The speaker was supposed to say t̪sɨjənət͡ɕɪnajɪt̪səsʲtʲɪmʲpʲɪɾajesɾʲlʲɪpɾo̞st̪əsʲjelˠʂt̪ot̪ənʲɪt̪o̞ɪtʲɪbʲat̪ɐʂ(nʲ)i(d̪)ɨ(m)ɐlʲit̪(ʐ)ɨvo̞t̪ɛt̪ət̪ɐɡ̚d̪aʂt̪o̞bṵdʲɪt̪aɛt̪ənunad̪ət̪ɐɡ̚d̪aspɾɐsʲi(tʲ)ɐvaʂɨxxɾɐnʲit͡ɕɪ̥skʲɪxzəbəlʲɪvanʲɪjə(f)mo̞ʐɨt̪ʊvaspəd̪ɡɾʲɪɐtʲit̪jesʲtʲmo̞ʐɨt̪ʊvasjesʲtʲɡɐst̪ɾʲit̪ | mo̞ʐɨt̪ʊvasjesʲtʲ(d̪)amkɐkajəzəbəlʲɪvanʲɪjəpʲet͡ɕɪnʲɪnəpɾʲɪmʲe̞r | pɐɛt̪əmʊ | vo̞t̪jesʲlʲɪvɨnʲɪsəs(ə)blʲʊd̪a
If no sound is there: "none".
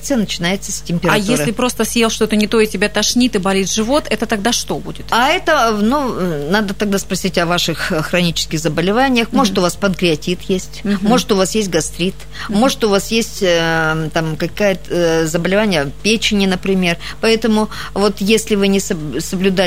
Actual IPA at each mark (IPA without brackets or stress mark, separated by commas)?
nʲ, t̪, b, ʐ, tʲ, x, t̪, ə